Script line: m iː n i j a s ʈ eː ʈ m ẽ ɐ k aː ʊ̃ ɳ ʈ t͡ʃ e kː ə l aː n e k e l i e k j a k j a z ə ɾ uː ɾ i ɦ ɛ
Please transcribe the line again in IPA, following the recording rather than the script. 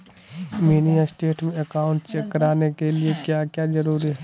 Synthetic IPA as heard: m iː n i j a s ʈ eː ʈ m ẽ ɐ k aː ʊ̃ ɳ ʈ t͡ʃ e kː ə ɾ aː n e k e l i e k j a k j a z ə ɾ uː ɾ i ɦ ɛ